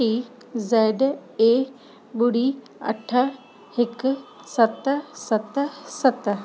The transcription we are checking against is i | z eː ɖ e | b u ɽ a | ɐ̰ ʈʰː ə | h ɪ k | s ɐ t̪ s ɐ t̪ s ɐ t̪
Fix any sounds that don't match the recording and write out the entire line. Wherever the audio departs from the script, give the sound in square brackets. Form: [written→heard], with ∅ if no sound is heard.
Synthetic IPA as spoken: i | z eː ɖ e | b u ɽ [a→i] | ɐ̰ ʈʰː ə | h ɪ k | s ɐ t̪ s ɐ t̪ s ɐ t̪